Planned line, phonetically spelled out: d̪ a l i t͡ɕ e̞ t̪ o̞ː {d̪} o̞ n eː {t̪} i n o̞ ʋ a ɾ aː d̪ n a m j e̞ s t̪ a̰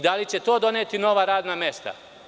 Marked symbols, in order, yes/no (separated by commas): yes, yes